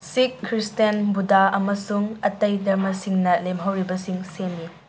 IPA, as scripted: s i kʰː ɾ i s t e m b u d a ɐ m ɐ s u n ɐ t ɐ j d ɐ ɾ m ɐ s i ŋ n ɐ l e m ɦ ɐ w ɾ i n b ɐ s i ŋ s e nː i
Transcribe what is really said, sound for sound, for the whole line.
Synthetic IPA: s i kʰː ɾ i s t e n b u d a ɐ m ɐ s u ŋ ɐ t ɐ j d ɐ ɾ m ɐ s i ŋ n ɐ l e m ɦ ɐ w ɾ i b ɐ s i ŋ s e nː i

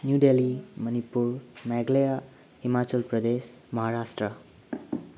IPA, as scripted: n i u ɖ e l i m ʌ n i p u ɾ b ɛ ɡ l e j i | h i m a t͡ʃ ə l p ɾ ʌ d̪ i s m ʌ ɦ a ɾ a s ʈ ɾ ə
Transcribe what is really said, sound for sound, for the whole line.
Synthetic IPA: n j u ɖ e l i m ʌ n i p u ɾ m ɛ ɡ l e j a | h i m a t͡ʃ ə l p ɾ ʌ d̪ e s m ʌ ɦ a ɾ a s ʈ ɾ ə

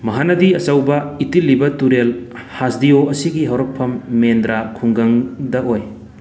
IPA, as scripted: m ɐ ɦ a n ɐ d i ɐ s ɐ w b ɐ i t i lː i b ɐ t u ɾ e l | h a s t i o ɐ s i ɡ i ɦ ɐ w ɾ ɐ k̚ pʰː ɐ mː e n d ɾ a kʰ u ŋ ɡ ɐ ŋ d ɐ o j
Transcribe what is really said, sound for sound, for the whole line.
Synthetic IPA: m ɐ ɦ a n ɐ d i ɐ s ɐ w b ɐ i t i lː i b ɐ t u ɾ e l | h a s d i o ɐ s i ɡ i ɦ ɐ w ɾ ɐ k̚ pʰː ɐ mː e n d ɾ a kʰ u ŋ ɡ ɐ ŋ d ɐ o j

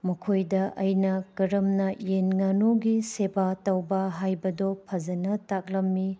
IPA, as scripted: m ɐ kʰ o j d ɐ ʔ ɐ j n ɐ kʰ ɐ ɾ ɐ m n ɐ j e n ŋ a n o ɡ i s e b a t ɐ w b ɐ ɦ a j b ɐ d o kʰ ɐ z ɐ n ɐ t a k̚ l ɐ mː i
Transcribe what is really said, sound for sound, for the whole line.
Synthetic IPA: m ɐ kʰ o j d ɐ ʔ ɐ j n ɐ k ɐ ɾ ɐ m n ɐ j e n ŋ a n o ɡ i s e b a t ɐ w b ɐ ɦ a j b ɐ d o pʰ ɐ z ɐ n ɐ t a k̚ l ɐ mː i

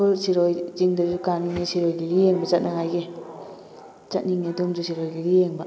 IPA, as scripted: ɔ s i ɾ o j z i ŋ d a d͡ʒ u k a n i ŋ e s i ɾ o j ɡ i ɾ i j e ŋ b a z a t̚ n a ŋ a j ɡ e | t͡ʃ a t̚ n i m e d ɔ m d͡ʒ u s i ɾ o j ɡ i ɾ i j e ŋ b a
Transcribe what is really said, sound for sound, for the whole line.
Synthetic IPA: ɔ s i ɾ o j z i ŋ d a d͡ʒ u k a n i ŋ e s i ɾ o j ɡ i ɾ i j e ŋ b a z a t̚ n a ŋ a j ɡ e | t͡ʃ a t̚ n i ŋ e d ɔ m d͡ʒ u s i ɾ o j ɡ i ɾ i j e ŋ b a

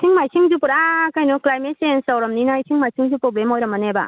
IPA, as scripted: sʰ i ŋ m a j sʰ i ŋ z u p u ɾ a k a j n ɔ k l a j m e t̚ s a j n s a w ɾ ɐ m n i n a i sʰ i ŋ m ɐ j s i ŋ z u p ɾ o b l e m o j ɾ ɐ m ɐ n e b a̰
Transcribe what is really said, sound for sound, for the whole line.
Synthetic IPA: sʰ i ŋ m a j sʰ i ŋ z u p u ɾ a k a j n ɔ k l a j m e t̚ s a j n s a w ɾ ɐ m n i n a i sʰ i ŋ m a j s i ŋ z u p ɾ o b l e m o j ɾ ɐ m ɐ n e b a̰

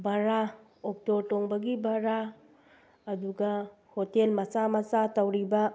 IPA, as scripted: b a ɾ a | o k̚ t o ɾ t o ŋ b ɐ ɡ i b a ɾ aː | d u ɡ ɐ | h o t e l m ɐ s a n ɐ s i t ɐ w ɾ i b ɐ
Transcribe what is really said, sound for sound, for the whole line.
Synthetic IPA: b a ɾ a | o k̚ t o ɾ t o ŋ b ɐ ɡ i b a ɾ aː | d u ɡ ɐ | h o t e l m ɐ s a m ɐ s a t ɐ w ɾ i b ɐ

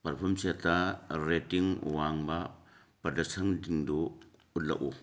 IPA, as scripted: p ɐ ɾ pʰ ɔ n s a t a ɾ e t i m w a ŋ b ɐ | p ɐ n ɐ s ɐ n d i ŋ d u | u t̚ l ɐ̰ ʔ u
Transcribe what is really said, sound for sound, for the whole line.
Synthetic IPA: p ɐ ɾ pʰ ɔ m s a t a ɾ e t i ŋ w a ŋ b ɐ | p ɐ d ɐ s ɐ ŋ d i ŋ d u | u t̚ l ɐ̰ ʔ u

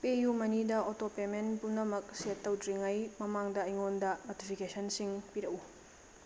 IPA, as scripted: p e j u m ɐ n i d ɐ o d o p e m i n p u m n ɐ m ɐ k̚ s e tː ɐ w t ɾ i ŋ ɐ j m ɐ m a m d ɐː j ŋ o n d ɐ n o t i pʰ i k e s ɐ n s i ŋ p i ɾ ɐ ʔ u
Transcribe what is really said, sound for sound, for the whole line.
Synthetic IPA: p e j u m ɐ n i d ɐ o t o p e m e n p u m n ɐ m ɐ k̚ s e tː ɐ w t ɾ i ŋ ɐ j m ɐ m a ŋ d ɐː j ŋ o n d ɐ n o t i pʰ i k e s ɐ n s i ŋ p i ɾ ɐ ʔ u

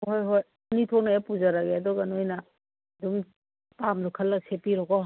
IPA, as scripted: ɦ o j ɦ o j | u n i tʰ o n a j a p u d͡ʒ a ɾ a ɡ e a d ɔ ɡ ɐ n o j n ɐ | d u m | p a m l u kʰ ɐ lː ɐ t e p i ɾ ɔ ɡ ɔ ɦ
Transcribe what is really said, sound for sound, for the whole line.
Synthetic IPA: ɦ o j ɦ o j | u n i tʰ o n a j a p u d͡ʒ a ɾ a ɡ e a d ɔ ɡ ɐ n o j n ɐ | d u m | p a m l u kʰ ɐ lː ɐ s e p i ɾ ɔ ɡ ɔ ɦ

